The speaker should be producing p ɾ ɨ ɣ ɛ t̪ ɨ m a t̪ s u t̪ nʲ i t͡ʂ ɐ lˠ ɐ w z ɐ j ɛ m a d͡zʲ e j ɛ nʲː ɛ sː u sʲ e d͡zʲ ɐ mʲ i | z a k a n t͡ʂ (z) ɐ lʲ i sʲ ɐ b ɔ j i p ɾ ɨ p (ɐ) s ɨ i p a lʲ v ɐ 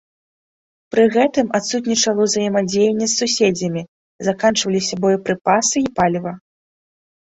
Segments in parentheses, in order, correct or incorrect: incorrect: v, incorrect: a

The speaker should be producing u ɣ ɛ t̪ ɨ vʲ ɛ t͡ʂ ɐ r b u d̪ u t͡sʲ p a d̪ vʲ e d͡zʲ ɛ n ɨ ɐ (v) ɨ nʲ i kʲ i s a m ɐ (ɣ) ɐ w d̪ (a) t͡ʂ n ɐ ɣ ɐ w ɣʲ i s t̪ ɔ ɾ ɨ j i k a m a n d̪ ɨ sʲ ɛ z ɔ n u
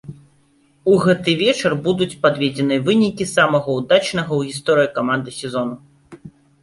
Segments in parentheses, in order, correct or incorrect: correct, correct, correct

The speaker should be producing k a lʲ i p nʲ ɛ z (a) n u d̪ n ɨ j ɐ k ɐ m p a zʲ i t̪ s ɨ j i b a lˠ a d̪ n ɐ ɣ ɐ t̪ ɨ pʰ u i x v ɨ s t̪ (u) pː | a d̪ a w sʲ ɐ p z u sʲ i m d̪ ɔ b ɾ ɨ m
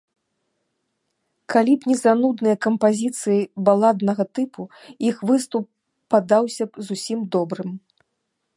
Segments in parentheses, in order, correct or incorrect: correct, correct

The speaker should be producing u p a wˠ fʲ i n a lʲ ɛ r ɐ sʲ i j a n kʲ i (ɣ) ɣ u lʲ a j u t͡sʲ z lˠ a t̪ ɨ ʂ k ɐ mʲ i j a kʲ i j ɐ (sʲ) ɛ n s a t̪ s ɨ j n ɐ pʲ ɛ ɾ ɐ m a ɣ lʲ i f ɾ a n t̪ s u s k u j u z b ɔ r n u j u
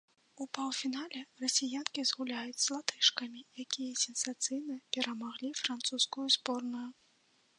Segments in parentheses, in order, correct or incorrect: incorrect: z, correct

